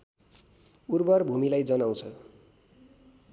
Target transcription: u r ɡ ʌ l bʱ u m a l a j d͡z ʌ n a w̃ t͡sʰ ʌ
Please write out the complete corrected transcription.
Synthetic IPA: u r b ʌ r bʱ u m i l a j d͡z ʌ n a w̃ t͡sʰ ʌ